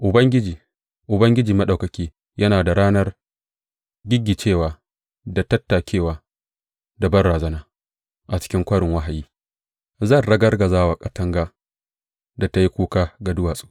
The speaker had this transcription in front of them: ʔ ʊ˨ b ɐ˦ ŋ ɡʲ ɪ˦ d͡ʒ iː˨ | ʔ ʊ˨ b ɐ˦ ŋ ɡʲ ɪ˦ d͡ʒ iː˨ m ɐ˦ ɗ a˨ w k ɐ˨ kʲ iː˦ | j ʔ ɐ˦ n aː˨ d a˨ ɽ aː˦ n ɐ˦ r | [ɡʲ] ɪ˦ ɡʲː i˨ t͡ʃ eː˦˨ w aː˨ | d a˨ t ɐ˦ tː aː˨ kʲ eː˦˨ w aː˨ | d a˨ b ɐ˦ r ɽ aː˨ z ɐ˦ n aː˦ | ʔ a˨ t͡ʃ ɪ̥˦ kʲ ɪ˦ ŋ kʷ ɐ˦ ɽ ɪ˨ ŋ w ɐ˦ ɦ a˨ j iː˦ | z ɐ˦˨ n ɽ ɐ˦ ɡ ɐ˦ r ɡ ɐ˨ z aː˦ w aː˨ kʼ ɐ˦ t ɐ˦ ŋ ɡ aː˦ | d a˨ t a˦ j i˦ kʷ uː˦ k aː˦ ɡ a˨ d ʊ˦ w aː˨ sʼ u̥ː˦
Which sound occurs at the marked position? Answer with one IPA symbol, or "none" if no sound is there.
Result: ɡʲ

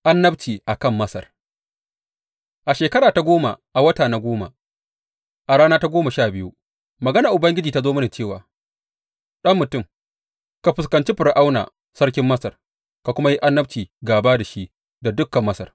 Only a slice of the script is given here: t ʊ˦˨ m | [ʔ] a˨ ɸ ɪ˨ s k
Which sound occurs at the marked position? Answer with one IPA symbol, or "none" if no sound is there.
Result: k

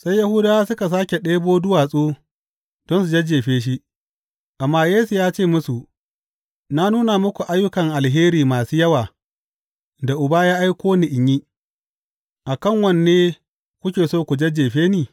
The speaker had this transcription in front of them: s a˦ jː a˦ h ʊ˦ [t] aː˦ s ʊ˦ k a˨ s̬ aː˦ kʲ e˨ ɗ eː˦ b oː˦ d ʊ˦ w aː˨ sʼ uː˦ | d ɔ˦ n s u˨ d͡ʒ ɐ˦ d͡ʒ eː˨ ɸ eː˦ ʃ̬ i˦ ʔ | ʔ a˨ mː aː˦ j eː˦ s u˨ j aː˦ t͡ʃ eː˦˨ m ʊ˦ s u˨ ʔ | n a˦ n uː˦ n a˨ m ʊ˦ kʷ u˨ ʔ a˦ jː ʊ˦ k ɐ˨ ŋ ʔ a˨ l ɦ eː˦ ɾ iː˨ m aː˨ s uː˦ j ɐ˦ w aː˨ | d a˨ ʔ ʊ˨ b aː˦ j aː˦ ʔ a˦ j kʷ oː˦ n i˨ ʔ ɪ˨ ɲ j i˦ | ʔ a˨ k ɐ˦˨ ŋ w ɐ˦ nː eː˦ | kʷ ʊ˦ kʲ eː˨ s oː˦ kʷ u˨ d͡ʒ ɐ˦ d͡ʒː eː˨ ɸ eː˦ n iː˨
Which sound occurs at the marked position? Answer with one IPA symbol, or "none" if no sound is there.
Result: d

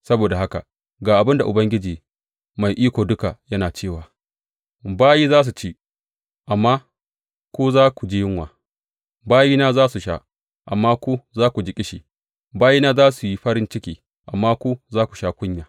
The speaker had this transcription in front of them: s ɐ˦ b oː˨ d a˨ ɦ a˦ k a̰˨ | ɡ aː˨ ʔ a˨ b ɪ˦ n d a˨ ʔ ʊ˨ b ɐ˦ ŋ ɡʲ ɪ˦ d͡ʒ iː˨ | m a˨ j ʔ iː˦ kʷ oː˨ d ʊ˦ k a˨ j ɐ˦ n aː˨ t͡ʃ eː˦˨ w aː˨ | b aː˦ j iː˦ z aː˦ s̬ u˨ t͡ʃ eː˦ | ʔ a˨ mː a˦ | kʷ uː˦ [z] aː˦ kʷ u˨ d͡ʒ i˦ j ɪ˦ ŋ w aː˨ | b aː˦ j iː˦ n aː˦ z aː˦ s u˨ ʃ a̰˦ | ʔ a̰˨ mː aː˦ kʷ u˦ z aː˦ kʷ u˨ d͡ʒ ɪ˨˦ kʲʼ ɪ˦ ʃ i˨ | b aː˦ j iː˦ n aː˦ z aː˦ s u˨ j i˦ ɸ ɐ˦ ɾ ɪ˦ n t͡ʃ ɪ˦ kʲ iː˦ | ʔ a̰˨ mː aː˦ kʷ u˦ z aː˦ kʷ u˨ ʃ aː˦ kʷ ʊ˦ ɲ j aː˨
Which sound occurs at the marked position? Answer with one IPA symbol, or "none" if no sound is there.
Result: z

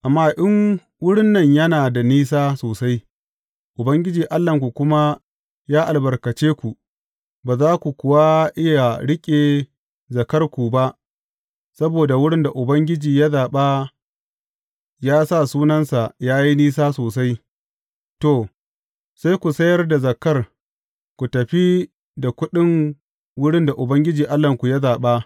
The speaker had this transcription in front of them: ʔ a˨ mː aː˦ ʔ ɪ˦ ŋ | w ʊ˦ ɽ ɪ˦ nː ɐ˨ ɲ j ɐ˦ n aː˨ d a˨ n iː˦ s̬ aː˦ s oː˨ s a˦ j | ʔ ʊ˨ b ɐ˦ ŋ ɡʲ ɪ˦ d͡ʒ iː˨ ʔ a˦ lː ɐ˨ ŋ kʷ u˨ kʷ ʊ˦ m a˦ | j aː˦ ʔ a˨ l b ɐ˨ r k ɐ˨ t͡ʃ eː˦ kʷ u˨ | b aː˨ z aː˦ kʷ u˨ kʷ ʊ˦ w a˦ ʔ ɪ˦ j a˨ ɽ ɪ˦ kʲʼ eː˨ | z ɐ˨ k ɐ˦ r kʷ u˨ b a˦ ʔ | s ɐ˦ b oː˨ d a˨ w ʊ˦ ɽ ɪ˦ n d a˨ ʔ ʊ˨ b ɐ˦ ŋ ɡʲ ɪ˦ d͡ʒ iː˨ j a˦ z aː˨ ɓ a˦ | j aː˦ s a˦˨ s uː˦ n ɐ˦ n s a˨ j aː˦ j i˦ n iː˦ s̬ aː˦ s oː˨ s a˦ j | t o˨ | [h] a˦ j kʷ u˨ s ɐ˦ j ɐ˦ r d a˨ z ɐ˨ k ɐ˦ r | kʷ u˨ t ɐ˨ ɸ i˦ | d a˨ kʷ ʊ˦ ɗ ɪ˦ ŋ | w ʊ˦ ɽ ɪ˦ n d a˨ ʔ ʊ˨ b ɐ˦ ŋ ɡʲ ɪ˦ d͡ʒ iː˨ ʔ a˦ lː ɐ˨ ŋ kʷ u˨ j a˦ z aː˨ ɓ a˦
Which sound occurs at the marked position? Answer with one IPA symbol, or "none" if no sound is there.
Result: s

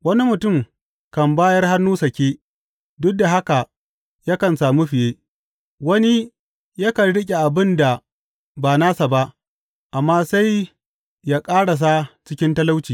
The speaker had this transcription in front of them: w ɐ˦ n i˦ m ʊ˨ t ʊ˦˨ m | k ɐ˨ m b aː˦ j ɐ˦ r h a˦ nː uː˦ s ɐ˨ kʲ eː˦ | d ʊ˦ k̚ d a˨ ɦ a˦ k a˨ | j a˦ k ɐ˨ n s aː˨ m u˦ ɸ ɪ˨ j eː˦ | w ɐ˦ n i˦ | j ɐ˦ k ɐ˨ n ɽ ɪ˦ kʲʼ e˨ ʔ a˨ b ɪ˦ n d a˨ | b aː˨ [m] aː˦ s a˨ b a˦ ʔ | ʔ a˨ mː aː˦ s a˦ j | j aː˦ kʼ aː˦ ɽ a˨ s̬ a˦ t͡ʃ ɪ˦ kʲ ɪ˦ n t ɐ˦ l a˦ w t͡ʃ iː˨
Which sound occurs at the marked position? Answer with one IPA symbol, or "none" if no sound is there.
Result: n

